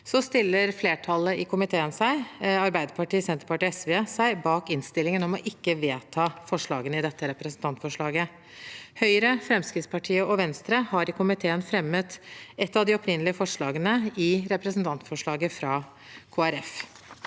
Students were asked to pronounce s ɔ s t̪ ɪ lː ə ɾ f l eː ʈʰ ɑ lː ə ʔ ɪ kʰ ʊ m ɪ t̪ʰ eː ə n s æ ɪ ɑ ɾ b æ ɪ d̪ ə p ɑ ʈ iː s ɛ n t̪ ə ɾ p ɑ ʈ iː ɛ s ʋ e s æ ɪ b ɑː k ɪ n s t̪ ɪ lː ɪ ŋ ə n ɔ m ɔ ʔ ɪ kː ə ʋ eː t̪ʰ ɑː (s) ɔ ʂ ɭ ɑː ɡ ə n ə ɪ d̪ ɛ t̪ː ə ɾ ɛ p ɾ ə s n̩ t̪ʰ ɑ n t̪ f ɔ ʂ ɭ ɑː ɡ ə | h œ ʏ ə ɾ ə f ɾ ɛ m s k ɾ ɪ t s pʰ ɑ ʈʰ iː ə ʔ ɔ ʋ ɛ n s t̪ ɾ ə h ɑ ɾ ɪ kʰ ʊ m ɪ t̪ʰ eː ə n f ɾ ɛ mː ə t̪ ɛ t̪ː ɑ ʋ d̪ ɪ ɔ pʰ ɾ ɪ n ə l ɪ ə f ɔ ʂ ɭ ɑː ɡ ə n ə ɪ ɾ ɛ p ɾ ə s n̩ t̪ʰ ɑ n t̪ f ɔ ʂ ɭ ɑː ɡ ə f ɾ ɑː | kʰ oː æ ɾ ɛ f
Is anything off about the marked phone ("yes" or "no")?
yes